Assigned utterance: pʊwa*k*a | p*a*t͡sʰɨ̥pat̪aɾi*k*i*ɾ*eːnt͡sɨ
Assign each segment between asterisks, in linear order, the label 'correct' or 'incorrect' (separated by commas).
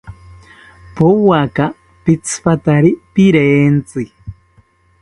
correct, incorrect, incorrect, correct